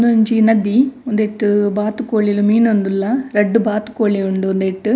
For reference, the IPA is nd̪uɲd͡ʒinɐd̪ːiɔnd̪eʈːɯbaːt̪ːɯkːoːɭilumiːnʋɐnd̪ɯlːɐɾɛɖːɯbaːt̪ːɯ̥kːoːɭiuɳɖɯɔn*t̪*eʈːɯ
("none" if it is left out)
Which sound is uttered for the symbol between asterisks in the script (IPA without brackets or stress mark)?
d̪